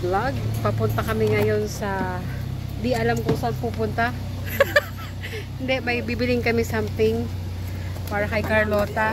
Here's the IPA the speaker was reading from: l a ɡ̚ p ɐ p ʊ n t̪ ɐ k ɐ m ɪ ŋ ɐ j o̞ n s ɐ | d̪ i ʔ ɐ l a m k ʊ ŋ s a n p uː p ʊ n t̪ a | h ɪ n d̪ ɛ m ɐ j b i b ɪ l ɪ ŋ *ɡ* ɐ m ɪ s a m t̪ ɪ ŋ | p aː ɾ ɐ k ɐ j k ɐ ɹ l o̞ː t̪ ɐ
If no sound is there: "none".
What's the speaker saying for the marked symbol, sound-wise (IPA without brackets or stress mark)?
k